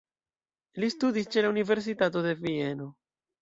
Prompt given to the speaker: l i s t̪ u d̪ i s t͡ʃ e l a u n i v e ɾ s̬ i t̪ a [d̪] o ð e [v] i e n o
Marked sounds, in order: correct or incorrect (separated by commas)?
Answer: incorrect, correct